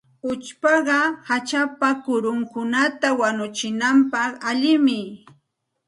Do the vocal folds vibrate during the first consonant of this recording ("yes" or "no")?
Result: no